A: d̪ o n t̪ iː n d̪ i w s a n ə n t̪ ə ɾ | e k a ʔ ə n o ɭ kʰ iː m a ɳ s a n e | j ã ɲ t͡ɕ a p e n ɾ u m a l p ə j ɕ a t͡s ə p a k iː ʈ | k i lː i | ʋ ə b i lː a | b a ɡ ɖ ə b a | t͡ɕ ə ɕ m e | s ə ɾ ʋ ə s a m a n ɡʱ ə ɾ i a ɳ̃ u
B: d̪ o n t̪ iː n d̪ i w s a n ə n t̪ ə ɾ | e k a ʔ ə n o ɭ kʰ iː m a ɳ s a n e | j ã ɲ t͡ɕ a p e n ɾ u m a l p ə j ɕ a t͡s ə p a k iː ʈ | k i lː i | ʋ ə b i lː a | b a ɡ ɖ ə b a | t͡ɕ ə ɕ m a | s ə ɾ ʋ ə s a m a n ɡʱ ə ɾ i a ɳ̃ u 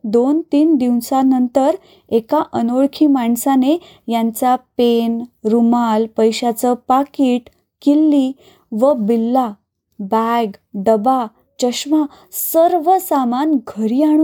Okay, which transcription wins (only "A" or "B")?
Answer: B